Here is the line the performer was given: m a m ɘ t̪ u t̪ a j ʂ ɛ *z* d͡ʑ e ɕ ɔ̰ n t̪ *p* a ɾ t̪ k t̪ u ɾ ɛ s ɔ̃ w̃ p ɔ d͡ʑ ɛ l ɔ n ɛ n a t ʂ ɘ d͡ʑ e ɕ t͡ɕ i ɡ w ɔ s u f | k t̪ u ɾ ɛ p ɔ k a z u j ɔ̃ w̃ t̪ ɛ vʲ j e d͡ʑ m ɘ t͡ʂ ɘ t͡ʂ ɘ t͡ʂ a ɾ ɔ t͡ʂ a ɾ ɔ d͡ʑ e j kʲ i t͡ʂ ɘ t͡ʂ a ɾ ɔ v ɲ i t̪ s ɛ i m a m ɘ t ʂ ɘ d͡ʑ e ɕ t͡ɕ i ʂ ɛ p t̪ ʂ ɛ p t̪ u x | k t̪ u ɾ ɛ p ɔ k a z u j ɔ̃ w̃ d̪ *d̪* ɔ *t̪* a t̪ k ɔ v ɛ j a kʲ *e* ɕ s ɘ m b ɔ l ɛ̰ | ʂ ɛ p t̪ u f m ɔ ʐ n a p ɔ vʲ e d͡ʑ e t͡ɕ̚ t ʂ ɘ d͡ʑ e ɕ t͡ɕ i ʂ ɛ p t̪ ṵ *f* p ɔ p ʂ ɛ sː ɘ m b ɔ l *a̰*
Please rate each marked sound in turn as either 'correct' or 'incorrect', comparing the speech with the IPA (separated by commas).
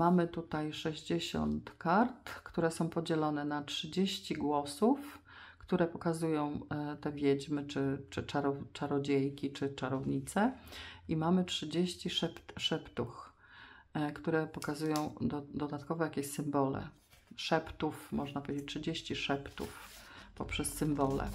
incorrect, incorrect, correct, incorrect, correct, correct, incorrect